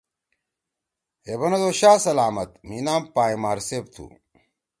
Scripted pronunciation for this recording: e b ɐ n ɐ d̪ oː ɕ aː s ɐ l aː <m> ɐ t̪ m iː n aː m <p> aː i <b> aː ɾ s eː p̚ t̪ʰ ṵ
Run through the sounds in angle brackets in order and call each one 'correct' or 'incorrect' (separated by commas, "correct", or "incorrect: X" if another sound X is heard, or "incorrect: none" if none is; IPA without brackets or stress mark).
correct, correct, incorrect: m